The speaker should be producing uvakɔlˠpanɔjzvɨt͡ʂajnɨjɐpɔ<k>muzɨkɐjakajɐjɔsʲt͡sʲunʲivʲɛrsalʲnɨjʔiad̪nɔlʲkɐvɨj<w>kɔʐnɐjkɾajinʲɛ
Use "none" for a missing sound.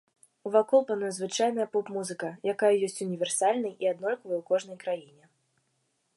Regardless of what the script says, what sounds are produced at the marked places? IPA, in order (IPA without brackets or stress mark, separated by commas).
p, w